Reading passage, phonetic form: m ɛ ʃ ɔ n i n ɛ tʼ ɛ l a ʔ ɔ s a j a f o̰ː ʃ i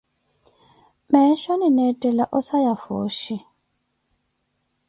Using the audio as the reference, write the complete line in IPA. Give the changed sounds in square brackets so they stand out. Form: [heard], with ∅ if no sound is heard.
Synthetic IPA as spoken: m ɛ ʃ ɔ n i n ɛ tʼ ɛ l a ʔ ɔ s a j a f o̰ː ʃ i